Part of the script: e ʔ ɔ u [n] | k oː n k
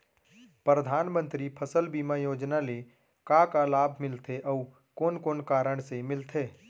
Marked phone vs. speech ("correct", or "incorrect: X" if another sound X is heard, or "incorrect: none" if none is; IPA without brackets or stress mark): incorrect: none